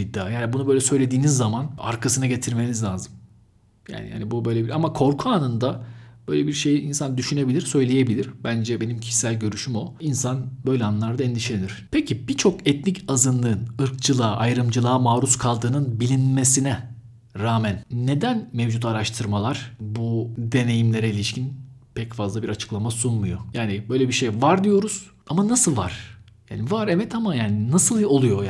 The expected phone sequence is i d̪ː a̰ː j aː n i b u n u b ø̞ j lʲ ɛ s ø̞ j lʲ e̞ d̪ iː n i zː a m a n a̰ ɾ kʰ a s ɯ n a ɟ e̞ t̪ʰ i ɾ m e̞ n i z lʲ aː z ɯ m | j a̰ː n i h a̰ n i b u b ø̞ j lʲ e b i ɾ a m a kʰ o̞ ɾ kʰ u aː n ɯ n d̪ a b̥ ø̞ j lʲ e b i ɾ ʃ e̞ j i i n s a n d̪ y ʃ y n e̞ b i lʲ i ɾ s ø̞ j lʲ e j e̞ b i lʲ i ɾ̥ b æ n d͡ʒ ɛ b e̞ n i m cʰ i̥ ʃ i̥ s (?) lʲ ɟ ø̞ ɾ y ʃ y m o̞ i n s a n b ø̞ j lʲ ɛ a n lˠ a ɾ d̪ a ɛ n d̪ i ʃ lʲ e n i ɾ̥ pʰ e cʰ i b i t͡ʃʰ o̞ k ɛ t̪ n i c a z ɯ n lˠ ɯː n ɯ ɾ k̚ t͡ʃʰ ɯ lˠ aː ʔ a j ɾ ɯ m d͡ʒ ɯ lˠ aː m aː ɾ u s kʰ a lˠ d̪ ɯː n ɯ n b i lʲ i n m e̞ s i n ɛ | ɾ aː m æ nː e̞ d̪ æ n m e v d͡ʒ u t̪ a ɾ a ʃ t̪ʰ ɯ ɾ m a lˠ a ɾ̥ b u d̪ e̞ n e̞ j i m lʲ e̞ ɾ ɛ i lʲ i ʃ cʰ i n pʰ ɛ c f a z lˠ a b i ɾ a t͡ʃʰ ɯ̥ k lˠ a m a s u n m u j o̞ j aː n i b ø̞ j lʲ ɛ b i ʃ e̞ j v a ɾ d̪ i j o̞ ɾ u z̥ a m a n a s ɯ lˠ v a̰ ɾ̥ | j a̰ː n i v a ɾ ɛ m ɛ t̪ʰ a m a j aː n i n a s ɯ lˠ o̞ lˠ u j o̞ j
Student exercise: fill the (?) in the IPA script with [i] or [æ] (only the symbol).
æ